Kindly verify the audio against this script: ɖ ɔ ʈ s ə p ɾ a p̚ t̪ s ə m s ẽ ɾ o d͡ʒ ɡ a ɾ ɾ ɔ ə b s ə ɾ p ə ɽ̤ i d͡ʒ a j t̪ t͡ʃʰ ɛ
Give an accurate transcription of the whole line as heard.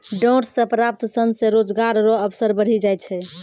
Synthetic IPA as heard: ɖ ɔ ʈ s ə p ɾ a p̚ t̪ s ə n s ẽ ɾ o d͡ʒ ɡ a ɾ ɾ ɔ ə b s ə ɾ b ə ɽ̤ i d͡ʒ a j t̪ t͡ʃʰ ɛ